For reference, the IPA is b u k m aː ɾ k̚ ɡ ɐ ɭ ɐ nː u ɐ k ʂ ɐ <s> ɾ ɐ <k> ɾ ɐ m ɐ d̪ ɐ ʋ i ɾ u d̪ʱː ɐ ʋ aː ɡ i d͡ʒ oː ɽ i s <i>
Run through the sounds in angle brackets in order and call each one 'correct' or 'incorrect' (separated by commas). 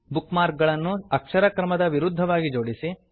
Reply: incorrect, correct, correct